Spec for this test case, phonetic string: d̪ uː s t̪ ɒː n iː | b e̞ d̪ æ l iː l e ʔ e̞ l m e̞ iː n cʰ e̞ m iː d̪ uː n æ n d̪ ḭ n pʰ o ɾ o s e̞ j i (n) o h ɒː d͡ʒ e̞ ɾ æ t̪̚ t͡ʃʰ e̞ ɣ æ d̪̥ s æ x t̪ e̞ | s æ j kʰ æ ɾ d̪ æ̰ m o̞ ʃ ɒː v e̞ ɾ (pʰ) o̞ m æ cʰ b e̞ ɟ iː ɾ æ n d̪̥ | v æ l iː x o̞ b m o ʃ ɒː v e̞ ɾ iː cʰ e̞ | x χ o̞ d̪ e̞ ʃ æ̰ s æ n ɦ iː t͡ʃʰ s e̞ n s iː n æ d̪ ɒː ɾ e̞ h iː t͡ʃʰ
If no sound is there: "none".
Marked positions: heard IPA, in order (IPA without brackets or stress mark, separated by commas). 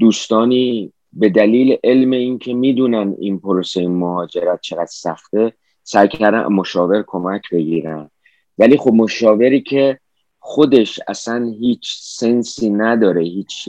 m, kʰ